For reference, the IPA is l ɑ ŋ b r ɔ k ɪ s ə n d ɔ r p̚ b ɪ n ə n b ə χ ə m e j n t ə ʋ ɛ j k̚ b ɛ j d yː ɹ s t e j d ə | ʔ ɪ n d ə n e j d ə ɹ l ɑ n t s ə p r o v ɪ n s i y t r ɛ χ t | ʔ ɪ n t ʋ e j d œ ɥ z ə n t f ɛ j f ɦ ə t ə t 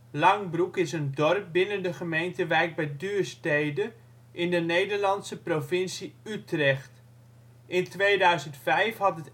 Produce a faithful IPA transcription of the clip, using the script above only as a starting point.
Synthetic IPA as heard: l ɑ ŋ b r u k ɪ s ə n d ɔ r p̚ b ɪ n ə n d ə χ ə m e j n t ə ʋ ɛ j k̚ b ɛ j d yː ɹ s t e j d ə | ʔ ɪ n d ə n e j d ə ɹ l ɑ n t s ə p r o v ɪ n s i y t r ɛ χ t | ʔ ɪ n t ʋ e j d œ ɥ z ə n t f ɛ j f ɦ ɑ t ə t